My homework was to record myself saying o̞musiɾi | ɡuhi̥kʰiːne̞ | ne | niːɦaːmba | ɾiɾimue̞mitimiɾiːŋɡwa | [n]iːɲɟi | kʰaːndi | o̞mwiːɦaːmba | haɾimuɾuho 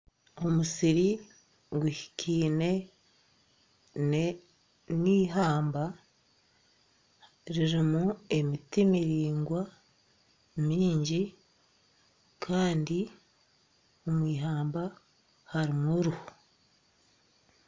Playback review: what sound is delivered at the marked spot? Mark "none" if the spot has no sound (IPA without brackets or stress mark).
m